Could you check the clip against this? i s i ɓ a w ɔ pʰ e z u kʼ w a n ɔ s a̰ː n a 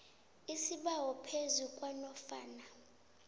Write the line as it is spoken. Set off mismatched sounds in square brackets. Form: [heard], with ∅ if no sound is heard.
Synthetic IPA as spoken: i s i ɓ a w ɔ pʰ e z u kʼ w a n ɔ [f] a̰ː n a